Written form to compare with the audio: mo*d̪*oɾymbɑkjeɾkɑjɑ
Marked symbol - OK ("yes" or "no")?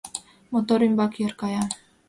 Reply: no